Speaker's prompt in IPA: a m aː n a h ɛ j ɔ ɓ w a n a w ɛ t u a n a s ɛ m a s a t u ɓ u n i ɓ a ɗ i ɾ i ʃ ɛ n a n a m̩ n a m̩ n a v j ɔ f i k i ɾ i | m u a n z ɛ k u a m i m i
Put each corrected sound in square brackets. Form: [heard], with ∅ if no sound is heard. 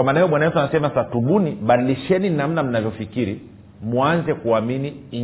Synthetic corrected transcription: a m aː n a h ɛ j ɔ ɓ w a n a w ɛ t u a n a s ɛ m a s a t u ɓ u n i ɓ a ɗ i [l] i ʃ ɛ n [i] n a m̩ n a m̩ n a v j ɔ f i k i ɾ i | m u a n z ɛ k u a m i [n] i